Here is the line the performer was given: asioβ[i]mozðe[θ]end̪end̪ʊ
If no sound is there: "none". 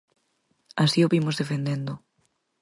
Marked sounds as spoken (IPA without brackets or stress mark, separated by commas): i, f